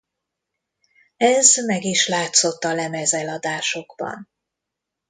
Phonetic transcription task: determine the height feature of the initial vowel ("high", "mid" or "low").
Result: mid